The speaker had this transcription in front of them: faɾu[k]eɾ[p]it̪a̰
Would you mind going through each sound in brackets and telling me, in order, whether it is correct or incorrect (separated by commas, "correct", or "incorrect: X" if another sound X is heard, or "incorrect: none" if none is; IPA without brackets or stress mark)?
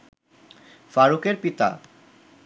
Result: correct, correct